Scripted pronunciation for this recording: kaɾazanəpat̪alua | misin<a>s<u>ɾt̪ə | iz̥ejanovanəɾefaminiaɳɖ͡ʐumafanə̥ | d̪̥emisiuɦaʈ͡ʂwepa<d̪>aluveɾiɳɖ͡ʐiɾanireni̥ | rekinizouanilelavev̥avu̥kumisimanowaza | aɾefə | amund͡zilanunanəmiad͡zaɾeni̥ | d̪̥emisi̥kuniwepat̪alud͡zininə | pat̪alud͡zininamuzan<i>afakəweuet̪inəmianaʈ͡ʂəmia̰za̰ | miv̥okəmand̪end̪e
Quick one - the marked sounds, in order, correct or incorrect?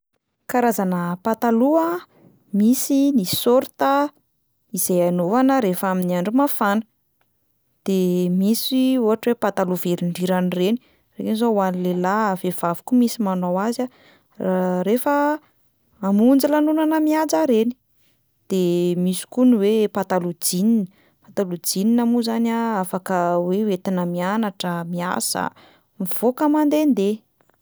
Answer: incorrect: i, incorrect: o, incorrect: t̪, incorrect: a

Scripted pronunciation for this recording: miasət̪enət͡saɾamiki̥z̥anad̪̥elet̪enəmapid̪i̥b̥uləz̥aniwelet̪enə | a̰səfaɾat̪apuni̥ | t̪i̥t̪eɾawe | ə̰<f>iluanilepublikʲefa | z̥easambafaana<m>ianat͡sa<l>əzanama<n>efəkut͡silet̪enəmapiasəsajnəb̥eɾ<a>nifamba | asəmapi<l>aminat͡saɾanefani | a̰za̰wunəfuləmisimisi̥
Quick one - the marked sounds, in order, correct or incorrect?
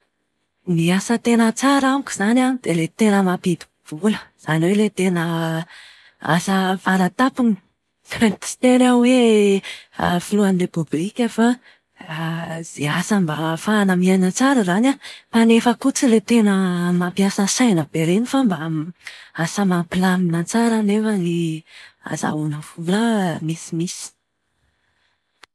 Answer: correct, correct, incorrect: ɾ, correct, incorrect: e, correct

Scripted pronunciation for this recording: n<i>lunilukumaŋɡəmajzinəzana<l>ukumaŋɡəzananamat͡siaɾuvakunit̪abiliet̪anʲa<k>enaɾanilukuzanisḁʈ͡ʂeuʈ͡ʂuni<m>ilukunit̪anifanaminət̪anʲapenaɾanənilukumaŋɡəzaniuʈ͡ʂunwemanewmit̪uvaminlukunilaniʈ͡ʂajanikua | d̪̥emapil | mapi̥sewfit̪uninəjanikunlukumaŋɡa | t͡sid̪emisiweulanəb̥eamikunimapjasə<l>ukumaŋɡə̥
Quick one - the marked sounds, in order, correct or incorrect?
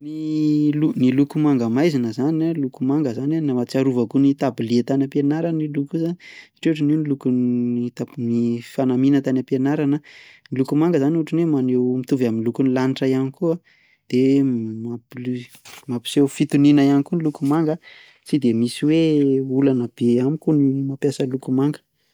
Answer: correct, correct, incorrect: p, incorrect: n, correct

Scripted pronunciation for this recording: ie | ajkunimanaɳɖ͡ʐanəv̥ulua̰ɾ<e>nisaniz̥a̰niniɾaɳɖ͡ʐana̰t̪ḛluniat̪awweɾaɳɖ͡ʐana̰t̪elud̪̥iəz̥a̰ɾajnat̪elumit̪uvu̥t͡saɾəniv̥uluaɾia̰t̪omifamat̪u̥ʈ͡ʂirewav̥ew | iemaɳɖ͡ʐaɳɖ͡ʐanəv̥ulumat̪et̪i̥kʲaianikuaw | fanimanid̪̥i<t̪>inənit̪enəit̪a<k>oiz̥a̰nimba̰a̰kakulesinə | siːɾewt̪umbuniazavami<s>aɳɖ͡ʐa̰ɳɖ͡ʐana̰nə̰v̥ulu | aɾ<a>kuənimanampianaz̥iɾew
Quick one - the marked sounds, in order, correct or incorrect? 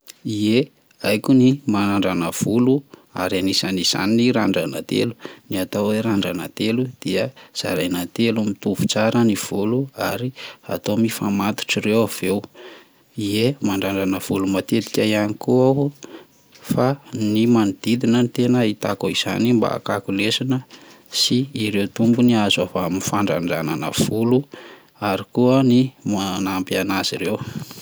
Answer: incorrect: a, incorrect: d̪, correct, incorrect: f, incorrect: i

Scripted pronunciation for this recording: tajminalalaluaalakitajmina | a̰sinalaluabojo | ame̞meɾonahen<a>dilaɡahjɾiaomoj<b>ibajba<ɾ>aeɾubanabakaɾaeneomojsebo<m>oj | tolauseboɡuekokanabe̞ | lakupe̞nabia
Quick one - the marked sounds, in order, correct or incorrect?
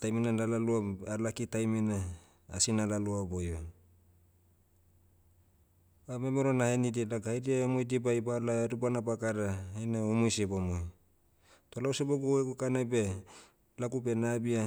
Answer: incorrect: i, incorrect: d, incorrect: l, correct

